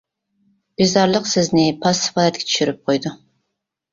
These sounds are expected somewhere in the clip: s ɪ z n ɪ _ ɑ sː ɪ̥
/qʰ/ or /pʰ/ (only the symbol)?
pʰ